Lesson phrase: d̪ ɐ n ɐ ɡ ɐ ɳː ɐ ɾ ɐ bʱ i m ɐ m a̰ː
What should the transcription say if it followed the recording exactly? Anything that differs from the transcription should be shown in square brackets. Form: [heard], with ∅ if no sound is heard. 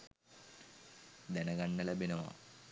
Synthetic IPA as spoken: d̪ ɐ n ɐ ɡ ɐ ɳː ɐ [l] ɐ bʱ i [n] ɐ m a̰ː